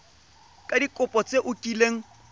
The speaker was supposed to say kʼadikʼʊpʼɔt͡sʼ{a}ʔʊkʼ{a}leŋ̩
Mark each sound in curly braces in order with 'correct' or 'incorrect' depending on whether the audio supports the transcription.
incorrect: e, incorrect: i

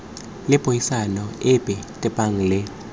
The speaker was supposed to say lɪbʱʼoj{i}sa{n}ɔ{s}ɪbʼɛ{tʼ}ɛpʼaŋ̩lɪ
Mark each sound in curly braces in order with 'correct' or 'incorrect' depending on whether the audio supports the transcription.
correct, correct, incorrect: none, correct

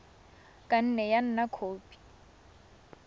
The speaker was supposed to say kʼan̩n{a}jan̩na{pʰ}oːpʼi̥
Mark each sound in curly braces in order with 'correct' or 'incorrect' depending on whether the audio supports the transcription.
incorrect: ɛ, incorrect: kʰ

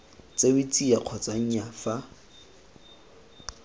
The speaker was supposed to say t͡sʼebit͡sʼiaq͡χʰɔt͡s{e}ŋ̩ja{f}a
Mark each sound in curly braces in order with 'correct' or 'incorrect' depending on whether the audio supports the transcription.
incorrect: a, correct

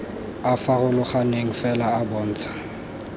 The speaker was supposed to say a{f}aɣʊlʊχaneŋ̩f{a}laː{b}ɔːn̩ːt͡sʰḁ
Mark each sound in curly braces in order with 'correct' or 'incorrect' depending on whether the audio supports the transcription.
correct, incorrect: ɛ, correct

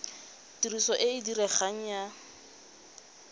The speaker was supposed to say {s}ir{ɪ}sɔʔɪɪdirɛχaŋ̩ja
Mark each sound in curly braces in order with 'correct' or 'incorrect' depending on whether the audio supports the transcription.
incorrect: t, incorrect: i

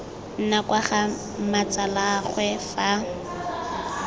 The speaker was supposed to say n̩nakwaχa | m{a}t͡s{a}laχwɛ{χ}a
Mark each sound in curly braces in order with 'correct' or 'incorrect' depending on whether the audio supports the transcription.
correct, correct, incorrect: f

